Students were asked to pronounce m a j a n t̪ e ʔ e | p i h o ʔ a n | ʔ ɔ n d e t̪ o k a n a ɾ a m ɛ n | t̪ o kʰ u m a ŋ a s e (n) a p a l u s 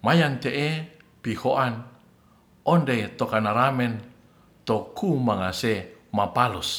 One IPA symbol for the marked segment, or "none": m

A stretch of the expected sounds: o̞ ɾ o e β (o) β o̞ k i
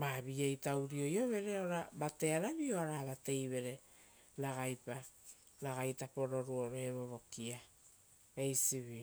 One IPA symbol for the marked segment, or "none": o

